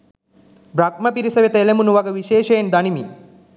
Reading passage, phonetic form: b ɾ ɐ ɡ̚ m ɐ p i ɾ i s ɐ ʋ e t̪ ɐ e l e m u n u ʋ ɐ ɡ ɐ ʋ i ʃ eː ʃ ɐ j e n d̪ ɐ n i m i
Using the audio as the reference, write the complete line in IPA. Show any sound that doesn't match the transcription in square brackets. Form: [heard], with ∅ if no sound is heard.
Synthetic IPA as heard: b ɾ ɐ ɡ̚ m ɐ p i ɾ i s ɐ ʋ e t̪ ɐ e l e m u n u ʋ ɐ ɡ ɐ ʋ i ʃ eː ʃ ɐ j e n d̪ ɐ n i m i